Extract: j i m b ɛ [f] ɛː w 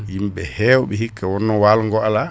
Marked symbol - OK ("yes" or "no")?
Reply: no